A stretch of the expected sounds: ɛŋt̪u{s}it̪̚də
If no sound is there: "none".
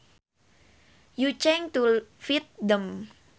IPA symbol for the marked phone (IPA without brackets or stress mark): f